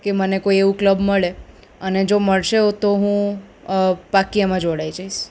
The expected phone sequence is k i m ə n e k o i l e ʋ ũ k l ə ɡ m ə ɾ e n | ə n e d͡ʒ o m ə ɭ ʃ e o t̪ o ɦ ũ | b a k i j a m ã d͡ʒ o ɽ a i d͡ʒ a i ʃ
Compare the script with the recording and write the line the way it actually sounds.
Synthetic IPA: k e m ə n e k o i e ʋ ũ k l ə b m ə ɭ e | ə n e d͡ʒ o m ə ɭ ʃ e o t̪ o ɦ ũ | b a k i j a m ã d͡ʒ o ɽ a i d͡ʒ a i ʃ